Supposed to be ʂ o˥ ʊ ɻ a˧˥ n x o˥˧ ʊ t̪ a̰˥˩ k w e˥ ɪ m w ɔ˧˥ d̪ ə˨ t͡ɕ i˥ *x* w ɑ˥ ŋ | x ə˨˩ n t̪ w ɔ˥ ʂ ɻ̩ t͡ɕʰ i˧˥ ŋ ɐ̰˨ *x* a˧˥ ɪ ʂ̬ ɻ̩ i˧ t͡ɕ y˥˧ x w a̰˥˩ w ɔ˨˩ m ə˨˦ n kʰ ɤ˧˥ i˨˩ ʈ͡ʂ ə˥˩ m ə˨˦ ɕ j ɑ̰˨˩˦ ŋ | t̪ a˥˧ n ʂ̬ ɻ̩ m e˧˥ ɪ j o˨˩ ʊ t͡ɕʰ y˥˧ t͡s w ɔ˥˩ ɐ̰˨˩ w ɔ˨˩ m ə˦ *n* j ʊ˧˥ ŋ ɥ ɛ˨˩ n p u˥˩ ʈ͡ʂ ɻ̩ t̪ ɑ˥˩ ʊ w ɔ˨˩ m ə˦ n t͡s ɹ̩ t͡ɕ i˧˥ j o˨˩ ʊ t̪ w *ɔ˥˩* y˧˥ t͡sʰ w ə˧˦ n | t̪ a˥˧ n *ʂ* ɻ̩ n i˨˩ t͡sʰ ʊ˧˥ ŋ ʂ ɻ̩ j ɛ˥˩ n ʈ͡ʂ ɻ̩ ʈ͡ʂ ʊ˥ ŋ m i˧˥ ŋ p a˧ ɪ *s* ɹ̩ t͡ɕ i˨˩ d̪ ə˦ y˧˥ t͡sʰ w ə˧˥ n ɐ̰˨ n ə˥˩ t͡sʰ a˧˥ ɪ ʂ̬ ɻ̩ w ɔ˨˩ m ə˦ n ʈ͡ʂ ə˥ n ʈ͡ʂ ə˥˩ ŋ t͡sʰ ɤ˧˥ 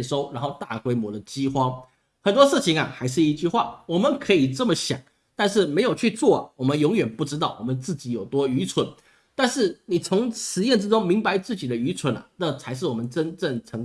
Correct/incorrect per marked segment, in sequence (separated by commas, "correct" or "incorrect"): correct, correct, correct, incorrect, correct, incorrect